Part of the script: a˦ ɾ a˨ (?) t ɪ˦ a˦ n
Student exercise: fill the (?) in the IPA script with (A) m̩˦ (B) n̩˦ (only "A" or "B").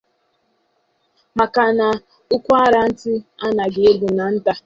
B